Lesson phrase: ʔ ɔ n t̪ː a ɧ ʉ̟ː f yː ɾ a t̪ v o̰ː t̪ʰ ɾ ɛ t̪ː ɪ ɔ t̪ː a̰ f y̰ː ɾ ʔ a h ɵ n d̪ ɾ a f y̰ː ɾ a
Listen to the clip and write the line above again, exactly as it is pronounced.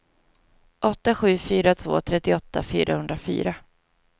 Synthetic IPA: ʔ ɔ t̪ː a ɧ ʉ̟ː f yː ɾ a t̪ʰ v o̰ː t̪ʰ ɾ ɛ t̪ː ɪ ɔ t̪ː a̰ f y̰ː ɾ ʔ a h ɵ n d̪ ɾ a f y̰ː ɾ a

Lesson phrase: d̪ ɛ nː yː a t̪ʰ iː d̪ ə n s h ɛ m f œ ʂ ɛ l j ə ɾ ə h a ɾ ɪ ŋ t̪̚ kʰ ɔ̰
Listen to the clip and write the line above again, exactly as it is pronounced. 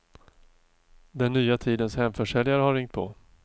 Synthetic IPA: d̪ ɛ nː yː a t̪ʰ iː d̪ ə n s h ɛ m f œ ʂ ɛ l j a ɾ ə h a ɾ ɪ ŋ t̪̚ pʰ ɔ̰

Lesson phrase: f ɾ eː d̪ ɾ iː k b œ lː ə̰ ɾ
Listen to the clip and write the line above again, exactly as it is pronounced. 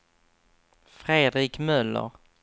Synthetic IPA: f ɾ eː d̪ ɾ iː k m œ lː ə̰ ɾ

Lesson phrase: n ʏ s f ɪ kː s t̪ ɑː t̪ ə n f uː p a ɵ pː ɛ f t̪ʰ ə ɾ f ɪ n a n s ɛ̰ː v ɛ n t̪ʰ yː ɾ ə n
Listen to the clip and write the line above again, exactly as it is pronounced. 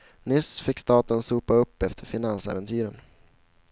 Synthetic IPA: n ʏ s f ɪ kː s t̪ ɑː t̪ ə n s uː p a ɵ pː ɛ f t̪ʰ ə ɾ f ɪ n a n s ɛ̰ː v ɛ n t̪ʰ yː ɾ ə n

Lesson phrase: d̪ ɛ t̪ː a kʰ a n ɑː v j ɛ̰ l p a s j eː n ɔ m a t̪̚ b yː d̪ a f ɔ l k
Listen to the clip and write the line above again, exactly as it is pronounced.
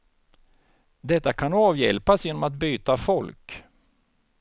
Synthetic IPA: d̪ ɛ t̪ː a kʰ a n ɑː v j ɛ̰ l p a s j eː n ɔ m a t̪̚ b yː t̪ a f ɔ l k

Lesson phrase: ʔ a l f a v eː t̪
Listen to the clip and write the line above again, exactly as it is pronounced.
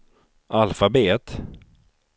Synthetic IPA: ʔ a l f a b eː t̪

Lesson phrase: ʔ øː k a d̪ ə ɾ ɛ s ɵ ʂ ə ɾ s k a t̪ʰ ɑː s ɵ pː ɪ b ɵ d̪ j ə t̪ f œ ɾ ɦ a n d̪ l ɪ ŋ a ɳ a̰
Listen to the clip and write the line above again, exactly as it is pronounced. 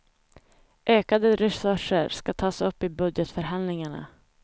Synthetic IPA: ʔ øː k a d̪ ə ɾ ɛ s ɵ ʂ ə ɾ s k a t̪ʰ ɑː s ɵ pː ɪ b ɵ d̪ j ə t̪ f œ ɾ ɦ a n d̪ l ɪ ŋ a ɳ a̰

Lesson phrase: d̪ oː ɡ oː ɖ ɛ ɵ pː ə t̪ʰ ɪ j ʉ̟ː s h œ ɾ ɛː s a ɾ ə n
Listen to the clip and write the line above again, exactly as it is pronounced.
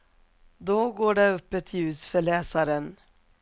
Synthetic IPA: d̪ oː ɡ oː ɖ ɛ ɵ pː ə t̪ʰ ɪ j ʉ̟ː s f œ ɭ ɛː s a ɾ ə n

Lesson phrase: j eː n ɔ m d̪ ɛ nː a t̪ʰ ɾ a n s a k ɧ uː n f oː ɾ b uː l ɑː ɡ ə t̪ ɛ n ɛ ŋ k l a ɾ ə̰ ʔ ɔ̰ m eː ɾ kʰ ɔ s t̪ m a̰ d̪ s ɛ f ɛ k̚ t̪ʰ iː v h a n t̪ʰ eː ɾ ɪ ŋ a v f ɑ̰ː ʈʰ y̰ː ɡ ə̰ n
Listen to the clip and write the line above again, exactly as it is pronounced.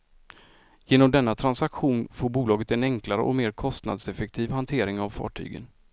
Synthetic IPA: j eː n ɔ m d̪ ɛ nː a t̪ʰ ɾ a n s a k ɧ uː n f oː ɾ b uː l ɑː ɡ ə t̪ ɛ n ɛ ŋ k l a ɾ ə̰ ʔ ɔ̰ m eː ɾ kʰ ɔ s t̪ n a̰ d̪ s ɛ f ɛ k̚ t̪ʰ iː v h a n t̪ʰ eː ɾ ɪ ŋ a v f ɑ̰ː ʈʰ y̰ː ɡ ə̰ n

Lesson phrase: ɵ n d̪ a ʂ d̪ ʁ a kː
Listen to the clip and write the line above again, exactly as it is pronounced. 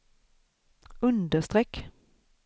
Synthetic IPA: ɵ n d̪ ə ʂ t̪ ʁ ɛ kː

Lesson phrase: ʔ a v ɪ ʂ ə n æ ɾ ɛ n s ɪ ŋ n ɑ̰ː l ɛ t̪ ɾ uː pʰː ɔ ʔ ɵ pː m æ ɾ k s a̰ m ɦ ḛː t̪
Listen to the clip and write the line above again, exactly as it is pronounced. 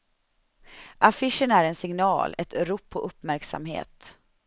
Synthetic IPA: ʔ a f ɪ ʂ ə n æ ɾ ɛ n s ɪ ŋ n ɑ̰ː l ɛ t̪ ɾ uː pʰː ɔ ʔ ɵ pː m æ ɾ k s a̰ m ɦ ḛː t̪

